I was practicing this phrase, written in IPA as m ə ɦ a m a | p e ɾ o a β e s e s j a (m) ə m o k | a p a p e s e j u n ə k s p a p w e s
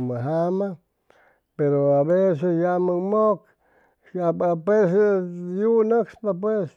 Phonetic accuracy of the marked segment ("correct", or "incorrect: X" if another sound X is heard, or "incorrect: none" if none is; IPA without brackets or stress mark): correct